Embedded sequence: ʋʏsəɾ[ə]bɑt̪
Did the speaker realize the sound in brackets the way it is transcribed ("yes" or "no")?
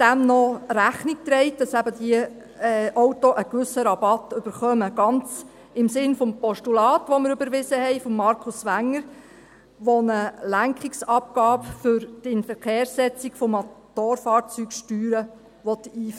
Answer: no